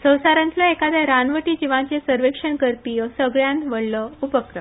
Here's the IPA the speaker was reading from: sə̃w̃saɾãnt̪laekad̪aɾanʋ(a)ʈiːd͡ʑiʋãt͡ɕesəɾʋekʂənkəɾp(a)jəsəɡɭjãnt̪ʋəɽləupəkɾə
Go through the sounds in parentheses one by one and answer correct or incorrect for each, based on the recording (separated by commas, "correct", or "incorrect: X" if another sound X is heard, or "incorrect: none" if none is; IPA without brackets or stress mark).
incorrect: ə, incorrect: i